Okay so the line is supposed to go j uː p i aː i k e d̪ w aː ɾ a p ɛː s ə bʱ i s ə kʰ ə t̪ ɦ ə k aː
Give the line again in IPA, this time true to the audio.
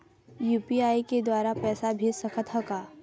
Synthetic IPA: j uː p i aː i k e d̪ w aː ɾ a p ɛː s a bʱ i s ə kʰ ə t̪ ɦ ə k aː